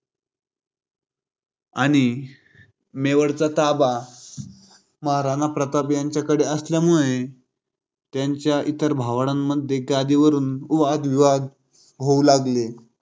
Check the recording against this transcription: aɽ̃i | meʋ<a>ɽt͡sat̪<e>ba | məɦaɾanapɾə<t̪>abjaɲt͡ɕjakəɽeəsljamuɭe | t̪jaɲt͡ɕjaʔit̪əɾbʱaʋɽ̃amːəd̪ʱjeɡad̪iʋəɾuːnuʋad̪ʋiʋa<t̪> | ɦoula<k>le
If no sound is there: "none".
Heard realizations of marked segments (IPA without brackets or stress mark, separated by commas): ə, a, t̪, d̪, ɡ